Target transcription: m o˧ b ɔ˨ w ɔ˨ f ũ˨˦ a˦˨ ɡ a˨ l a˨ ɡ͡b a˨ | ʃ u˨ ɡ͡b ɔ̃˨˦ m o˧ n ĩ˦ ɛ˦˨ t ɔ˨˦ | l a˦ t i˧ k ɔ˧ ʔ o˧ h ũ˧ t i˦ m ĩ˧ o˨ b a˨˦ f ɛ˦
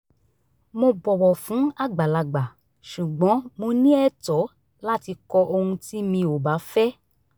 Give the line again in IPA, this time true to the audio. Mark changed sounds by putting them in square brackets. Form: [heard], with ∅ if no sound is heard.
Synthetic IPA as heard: m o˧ b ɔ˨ w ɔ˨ f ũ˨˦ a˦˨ [ɡ͡b] a˨ l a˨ ɡ͡b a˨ | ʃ u˨ ɡ͡b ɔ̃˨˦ m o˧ n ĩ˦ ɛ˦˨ t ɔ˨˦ | l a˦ t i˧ k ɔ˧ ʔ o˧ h ũ˧ t i˦ m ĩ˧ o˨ b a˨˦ f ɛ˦